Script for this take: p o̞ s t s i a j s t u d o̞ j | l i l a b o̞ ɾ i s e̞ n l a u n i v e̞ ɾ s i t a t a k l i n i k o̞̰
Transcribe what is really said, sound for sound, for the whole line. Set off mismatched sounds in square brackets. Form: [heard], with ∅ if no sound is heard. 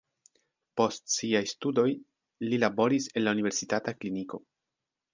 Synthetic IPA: p o̞ s t s i a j s t u d o̞ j | l i l a b o̞ ɾ i s e̞ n l a u n i v e̞ ɾ s i t a t a k l i n i k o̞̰